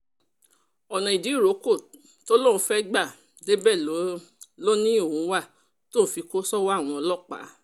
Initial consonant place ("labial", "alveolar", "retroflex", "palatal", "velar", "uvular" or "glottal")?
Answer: alveolar